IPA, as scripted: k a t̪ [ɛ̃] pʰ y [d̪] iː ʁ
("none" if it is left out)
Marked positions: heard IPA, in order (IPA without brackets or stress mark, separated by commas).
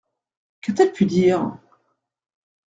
ɛ, d̪